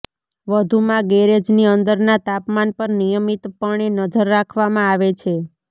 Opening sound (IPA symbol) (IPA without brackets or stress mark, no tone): ʋ